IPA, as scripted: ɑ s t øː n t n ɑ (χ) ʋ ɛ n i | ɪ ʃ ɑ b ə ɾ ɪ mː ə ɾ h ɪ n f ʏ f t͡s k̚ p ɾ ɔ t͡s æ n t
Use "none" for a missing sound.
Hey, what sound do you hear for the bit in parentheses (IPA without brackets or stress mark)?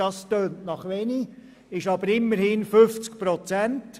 χ